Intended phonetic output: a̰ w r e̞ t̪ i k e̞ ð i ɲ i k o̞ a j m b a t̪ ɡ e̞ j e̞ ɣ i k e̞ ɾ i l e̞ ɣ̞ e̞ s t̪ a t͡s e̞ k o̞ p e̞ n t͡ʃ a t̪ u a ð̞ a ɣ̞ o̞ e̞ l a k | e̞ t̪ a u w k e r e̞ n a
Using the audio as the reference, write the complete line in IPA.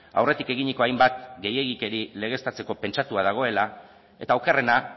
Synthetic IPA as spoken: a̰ w r e̞ t̪ i k e̞ ɣ i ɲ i k o̞ a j m b a t̪ ɡ e̞ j e̞ ɣ i k e̞ ɾ i l e̞ ɣ̞ e̞ s t̪ a t͡s e̞ k o̞ p e̞ n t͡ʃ a t̪ u a ð̞ a ɣ̞ o̞ e̞ l a | e̞ t̪ a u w k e r e̞ n a